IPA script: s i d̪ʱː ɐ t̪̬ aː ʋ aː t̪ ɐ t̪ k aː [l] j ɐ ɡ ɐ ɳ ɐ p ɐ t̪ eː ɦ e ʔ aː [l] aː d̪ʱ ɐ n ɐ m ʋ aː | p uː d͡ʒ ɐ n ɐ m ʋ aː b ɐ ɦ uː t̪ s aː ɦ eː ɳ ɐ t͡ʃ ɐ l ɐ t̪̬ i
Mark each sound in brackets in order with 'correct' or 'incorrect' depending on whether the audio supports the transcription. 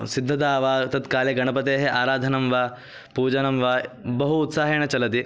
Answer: correct, incorrect

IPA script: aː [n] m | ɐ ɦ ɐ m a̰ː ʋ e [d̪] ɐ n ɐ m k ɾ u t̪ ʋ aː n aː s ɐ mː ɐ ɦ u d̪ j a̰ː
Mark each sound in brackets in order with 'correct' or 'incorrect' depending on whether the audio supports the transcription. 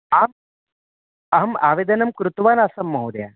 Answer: incorrect, correct

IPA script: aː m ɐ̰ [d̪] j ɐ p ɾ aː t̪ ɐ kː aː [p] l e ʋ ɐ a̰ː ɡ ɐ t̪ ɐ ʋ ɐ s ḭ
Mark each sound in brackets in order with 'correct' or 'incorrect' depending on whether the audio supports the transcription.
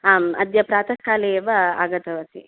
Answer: correct, incorrect

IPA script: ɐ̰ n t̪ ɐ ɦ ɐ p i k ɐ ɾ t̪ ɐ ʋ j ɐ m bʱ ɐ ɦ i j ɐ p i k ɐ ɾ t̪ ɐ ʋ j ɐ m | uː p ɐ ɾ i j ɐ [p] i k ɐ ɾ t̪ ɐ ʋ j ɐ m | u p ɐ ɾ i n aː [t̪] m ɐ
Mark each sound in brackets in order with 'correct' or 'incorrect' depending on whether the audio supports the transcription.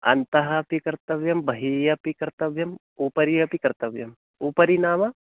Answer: correct, incorrect

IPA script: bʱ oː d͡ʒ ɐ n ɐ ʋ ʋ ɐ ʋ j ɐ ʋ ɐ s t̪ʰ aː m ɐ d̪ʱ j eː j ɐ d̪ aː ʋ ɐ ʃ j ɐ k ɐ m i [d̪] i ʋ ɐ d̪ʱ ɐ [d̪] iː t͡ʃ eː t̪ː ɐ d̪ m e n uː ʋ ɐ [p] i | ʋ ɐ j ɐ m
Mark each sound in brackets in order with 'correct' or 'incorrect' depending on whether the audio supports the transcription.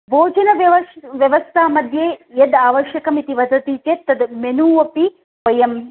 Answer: incorrect, incorrect, correct

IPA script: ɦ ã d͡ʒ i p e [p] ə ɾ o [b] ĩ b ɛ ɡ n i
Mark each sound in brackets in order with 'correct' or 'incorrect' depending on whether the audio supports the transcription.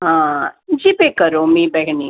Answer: incorrect, incorrect

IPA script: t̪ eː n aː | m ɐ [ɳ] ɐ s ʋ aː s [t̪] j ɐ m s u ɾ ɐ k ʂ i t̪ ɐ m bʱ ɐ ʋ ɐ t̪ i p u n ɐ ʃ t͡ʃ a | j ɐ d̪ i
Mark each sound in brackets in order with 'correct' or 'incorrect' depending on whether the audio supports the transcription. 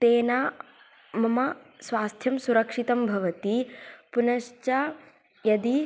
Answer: incorrect, incorrect

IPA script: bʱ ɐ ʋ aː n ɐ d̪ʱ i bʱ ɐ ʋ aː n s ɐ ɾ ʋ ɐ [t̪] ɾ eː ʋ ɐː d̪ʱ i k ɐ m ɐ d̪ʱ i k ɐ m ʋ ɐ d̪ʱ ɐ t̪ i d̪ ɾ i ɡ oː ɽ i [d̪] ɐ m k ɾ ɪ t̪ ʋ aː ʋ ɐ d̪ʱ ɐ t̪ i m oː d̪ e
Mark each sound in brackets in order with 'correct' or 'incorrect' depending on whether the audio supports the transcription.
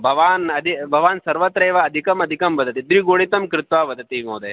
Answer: correct, incorrect

